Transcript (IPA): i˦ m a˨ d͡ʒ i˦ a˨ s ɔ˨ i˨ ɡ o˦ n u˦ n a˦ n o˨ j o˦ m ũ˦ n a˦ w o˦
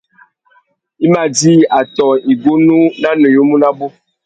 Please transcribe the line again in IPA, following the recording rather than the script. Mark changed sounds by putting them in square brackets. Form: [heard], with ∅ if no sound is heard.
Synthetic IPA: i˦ m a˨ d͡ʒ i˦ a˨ [t] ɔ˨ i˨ ɡ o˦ n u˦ n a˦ n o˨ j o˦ m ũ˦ n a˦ [b] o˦